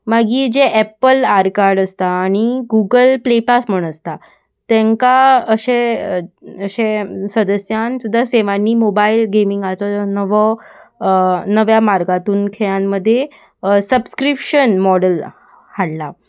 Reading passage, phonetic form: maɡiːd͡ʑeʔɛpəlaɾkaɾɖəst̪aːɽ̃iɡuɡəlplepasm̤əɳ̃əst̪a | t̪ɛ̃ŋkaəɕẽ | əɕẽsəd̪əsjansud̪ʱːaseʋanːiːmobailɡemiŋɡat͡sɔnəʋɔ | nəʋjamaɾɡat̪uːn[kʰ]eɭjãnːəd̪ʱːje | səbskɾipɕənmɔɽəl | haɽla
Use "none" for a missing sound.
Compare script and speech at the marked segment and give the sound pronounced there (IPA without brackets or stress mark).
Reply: kʰ